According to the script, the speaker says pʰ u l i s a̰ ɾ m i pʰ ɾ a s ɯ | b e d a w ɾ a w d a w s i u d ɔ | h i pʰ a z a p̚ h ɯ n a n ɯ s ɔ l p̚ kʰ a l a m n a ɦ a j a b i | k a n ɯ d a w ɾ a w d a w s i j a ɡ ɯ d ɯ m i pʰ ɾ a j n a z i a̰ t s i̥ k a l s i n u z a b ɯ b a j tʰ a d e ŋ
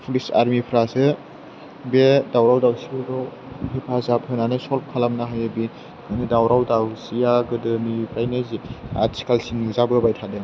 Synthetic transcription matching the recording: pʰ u l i s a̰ ɾ m i pʰ ɾ a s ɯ | b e d a w ɾ a w d a w s i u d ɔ | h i pʰ a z a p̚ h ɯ n a n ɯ s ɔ l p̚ kʰ a l a m n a ɦ a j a b i | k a n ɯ d a w ɾ a w d a w s i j a ɡ ɯ d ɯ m i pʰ ɾ a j n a z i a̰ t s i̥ k a l s i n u z a b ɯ b a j tʰ a d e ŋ